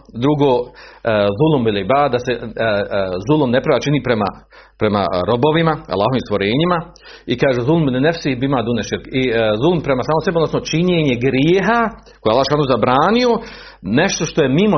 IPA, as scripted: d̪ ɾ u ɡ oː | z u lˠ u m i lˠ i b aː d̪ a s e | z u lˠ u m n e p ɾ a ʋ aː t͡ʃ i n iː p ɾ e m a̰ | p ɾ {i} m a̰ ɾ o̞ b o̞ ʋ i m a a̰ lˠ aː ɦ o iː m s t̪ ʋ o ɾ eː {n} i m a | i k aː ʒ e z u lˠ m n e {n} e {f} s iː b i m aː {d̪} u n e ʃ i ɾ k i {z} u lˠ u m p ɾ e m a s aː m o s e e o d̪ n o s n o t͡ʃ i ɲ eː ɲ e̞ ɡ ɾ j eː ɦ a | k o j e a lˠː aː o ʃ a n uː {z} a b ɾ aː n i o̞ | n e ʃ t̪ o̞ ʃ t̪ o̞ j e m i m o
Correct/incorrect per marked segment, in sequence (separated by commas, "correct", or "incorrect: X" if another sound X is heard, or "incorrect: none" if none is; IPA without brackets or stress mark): incorrect: e, incorrect: ɲ, correct, correct, correct, correct, correct